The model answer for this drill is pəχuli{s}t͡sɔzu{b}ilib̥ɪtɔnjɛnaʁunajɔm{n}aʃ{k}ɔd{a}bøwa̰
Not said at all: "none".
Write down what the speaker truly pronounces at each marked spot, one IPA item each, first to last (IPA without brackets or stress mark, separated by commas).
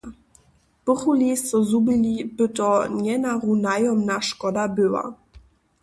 s, b, n, k, a